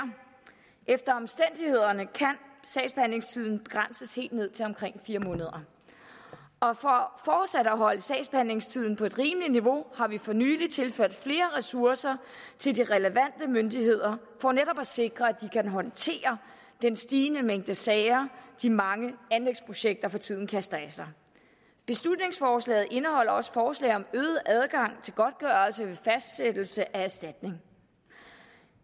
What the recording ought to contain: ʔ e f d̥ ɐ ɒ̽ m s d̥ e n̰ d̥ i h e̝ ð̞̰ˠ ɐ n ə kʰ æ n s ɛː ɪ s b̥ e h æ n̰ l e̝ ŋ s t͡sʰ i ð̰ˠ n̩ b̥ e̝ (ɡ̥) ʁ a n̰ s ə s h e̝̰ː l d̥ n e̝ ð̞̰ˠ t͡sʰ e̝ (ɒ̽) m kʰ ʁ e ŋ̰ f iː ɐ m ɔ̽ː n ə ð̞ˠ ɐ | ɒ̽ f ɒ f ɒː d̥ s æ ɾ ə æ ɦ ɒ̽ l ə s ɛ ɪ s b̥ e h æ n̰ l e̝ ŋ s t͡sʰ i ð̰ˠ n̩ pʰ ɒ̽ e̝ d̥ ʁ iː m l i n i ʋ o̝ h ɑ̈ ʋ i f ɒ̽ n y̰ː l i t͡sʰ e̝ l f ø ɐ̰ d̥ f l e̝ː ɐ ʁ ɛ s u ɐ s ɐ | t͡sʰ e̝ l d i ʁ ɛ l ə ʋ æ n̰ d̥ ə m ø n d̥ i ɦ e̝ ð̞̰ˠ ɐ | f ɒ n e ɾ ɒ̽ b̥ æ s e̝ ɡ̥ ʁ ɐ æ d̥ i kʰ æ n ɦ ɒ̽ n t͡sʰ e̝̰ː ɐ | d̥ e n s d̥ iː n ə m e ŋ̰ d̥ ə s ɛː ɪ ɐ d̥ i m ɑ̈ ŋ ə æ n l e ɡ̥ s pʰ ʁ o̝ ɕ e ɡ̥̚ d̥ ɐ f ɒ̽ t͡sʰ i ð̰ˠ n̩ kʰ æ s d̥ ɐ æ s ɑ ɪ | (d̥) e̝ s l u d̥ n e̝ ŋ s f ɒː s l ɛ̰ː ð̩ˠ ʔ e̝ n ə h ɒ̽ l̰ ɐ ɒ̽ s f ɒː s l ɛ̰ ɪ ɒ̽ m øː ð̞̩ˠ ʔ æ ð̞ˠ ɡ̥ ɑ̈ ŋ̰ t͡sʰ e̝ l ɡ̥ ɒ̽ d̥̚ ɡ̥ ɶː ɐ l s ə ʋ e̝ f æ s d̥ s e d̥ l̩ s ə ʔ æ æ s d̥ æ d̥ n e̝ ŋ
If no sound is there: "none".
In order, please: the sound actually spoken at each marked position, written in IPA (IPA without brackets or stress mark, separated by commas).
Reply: ɡ̥, ɒ̽, b̥